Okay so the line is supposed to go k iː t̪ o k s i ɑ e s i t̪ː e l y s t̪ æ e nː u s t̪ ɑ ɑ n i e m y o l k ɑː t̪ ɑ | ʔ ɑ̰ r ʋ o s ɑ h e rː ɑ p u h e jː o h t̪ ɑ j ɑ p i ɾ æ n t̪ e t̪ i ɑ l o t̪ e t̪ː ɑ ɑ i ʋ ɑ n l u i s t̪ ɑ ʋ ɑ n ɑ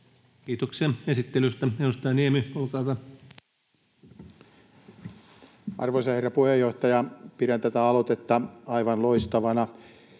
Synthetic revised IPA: k iː t̪ o k s i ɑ e s i t̪ː e l y s t̪ æ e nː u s t̪ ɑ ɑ n i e m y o l k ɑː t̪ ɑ | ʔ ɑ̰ r ʋ o s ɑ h e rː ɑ p u h e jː o h t̪ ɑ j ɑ p i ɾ æ n t̪ æ t̪ æ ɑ l o t̪ e t̪ː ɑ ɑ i ʋ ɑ n l o i s t̪ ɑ ʋ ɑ n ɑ